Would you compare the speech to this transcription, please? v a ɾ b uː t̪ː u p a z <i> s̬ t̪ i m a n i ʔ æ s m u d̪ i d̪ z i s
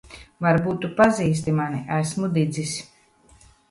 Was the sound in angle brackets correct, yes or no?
no